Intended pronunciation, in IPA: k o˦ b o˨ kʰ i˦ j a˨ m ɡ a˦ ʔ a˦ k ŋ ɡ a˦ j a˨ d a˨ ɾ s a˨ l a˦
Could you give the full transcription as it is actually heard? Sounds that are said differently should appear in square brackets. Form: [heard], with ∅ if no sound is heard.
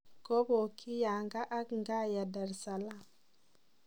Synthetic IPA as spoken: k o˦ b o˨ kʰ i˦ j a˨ [ŋ] ɡ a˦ ʔ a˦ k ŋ ɡ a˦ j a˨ d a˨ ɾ s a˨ l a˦